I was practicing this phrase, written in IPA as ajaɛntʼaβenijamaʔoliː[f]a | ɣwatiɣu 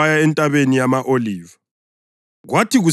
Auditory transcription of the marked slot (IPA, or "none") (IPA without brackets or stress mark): v